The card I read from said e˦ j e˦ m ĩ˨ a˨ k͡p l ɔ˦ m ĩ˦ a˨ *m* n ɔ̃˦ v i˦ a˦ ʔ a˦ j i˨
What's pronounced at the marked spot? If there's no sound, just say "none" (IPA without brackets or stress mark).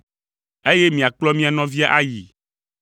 none